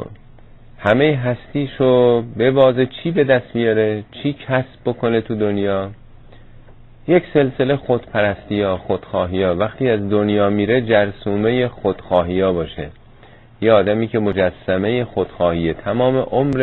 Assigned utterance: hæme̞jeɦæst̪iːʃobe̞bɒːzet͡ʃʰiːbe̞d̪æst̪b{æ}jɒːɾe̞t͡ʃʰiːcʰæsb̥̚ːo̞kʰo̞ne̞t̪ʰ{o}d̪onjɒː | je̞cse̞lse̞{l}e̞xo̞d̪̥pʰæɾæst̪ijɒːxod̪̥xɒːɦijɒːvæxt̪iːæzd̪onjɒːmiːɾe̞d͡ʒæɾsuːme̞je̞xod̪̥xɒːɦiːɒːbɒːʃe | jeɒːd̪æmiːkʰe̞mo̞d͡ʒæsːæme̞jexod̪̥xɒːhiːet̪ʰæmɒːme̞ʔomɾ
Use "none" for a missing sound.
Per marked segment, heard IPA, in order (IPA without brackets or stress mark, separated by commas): i, u, l